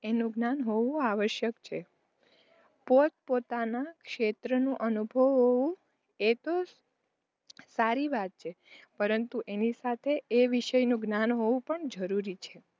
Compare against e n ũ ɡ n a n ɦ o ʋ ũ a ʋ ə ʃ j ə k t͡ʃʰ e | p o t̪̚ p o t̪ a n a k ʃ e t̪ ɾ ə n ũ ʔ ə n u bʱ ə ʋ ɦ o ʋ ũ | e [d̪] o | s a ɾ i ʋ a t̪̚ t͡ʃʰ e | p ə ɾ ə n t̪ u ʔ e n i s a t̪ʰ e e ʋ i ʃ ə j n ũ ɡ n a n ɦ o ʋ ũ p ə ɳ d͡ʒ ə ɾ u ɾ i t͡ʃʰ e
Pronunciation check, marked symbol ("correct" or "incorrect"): incorrect